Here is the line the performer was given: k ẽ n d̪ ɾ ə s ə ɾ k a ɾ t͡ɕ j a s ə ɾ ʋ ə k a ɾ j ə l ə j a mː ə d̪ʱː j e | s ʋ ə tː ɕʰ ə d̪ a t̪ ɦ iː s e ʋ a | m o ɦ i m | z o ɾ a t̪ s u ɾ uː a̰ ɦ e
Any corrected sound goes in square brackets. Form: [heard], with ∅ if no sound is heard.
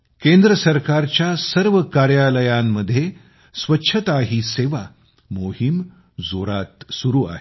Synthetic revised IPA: k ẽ n d̪ ɾ ə s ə ɾ k a ɾ t͡ɕ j a s ə ɾ ʋ ə k a ɾ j [a] l ə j a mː ə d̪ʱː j e | s ʋ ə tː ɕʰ ə [t̪] a [∅] ɦ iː s e ʋ a | m o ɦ i m | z o ɾ a t̪ s u ɾ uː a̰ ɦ e